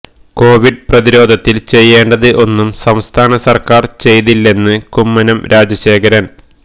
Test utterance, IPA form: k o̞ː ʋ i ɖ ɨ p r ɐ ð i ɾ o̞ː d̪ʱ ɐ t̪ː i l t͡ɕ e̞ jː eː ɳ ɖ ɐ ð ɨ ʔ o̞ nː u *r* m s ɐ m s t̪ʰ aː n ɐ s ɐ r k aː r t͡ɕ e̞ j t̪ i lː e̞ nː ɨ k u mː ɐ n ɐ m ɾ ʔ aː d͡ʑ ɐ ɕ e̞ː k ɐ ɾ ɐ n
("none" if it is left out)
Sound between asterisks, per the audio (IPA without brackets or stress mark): none